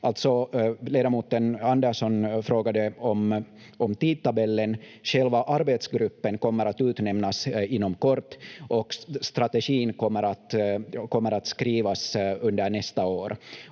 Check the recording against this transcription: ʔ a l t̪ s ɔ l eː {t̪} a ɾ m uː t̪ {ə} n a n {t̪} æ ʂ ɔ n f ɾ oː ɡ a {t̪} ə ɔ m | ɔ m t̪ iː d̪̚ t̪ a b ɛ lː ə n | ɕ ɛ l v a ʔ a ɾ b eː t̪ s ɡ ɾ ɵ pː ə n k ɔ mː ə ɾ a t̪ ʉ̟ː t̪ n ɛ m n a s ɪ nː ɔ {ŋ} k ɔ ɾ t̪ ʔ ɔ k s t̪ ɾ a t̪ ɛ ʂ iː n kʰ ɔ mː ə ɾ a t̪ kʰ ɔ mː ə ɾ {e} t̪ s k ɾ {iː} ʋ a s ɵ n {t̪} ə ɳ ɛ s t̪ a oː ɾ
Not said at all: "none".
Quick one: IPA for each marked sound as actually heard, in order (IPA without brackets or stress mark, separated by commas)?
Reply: d̪, ə, d̪, d̪, m, a, iː, d̪